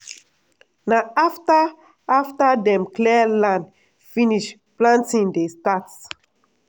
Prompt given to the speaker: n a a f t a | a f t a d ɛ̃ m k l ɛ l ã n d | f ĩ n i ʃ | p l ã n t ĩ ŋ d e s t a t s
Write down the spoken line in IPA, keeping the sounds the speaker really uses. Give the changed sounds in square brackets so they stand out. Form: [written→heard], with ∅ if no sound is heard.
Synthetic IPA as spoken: n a a f t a | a f t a d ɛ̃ m k l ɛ l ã n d | f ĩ n i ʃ | p l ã n t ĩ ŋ d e s t a t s